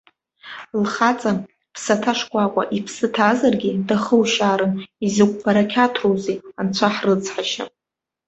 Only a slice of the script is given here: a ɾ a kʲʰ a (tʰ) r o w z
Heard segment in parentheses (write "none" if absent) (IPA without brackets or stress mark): tʰ